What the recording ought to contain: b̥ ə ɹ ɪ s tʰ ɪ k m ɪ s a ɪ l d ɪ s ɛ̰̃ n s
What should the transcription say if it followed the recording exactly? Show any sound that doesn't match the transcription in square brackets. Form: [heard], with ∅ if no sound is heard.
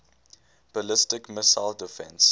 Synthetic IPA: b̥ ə [l] ɪ s [t] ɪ k m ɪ s a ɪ l d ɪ [f] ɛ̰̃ n s